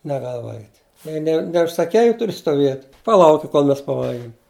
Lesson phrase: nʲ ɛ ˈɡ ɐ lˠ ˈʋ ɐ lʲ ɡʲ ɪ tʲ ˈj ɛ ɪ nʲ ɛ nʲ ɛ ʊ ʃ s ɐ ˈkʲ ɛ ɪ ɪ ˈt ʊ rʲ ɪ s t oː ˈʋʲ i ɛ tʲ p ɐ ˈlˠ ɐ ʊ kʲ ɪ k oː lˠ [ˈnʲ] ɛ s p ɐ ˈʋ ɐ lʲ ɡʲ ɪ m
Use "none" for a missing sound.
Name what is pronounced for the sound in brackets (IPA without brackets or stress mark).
mʲ